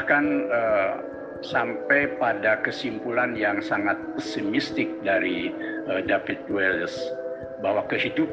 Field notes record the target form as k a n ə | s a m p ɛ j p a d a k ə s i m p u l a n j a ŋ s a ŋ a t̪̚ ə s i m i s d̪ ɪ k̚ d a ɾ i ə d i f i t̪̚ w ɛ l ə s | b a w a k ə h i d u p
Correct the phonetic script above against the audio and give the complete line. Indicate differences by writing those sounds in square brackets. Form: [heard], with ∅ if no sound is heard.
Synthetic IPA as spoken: k a n ə | s a m p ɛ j p a d a k ə s i m p u l a n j a ŋ s a ŋ a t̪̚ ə s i m i s [t̪] ɪ k̚ d a ɾ i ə d [a] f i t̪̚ w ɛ l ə s | b a w a k ə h i d u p